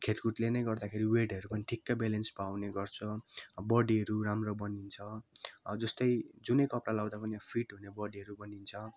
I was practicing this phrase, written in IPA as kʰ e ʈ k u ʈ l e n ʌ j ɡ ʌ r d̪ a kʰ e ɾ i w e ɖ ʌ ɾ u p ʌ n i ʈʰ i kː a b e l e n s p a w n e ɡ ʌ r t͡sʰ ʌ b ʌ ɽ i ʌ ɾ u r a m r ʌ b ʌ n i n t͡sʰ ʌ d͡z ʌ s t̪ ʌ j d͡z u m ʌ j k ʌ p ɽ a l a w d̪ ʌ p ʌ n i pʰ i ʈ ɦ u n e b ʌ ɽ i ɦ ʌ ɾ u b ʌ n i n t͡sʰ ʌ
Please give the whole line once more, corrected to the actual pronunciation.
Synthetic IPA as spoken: kʰ e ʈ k u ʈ l e n ʌ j ɡ ʌ r d̪ a kʰ e ɾ i w e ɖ ʌ ɾ u p ʌ n i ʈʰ i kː a b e l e n s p a w n e ɡ ʌ r t͡sʰ ʌ b ʌ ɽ i ʌ ɾ u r a m r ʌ b ʌ n i n t͡sʰ ʌ d͡z ʌ s t̪ ʌ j d͡z u n ʌ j k ʌ p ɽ a l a w d̪ a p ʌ n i pʰ i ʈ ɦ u n e b ʌ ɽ i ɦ ʌ ɾ u b ʌ n i n t͡sʰ ʌ

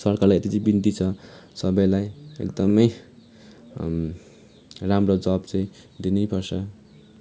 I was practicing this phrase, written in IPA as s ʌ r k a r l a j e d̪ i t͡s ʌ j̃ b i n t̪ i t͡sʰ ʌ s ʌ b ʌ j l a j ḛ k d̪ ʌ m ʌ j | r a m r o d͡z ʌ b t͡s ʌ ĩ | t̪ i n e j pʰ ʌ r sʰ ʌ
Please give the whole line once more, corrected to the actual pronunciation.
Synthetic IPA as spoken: s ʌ r k a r l a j e t̪ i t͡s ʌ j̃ b i n t̪ i t͡sʰ ʌ s ʌ b ʌ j l a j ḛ k d̪ ʌ m ʌ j | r a m r o d͡z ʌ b t͡s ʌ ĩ | d̪ i n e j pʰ ʌ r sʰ ʌ

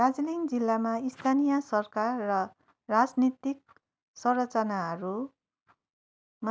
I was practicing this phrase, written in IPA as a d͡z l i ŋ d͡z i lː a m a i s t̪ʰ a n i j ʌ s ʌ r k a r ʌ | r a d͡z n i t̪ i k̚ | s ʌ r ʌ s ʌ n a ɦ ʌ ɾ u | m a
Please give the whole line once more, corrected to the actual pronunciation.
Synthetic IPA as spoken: a d͡z l i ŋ d͡z i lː a m a i s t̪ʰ a n i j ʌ s ʌ r k a rː ʌ | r a d͡z n i t̪ i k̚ | s ʌ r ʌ t͡s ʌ n a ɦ ʌ ɾ u | m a

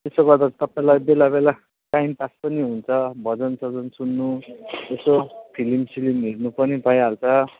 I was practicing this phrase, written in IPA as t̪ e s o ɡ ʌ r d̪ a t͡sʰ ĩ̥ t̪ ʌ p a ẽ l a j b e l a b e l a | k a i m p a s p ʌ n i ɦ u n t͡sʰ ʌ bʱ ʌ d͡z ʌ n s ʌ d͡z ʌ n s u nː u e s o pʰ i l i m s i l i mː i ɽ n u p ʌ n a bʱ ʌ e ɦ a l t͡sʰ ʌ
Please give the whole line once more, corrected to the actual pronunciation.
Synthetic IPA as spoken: t̪ e s o ɡ ʌ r d̪ a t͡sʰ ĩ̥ t̪ ʌ p a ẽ l a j b e l a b e l a | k a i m p a s p ʌ n i ɦ u n t͡sʰ ʌ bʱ ʌ d͡z ʌ n s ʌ d͡z ʌ n s u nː u e s o pʰ i l i m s i l i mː i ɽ n u p ʌ n i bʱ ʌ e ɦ a l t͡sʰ ʌ

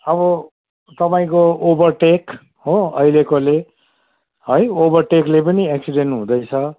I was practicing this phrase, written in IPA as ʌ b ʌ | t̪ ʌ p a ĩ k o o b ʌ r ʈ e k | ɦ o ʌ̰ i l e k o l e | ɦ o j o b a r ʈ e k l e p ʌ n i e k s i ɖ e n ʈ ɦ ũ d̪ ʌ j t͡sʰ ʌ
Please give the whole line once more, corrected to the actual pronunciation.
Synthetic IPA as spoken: ʌ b ʌ | t̪ ʌ p a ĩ k o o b ʌ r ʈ e k | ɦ o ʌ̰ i l e k o l e | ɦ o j o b ʌ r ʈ e k l e p ʌ n i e k s i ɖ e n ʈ ɦ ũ d̪ ʌ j t͡sʰ ʌ

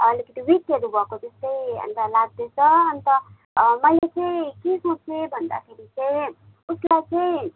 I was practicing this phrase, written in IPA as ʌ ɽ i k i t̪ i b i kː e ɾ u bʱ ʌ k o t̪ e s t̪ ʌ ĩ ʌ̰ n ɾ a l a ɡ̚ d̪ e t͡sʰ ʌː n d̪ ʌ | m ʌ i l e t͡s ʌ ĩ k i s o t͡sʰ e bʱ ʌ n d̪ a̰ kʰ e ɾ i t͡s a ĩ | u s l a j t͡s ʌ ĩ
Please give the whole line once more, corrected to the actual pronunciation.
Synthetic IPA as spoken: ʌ l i k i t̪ i w i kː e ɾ u bʱ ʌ k o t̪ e s t̪ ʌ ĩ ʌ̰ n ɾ a l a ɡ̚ d̪ e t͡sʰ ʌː n t̪ ʌ | m ʌ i l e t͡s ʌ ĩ k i s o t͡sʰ e bʱ ʌ n d̪ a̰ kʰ e ɾ i t͡s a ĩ | u s l a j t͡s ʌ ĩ

